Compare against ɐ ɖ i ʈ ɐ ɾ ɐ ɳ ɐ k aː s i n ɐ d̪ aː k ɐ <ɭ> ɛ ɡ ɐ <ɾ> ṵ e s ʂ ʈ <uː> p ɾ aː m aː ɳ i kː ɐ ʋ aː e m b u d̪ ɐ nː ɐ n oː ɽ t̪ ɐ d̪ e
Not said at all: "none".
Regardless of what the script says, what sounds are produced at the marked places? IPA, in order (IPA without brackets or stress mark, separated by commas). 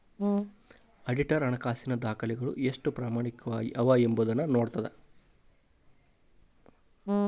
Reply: l, ɭ, u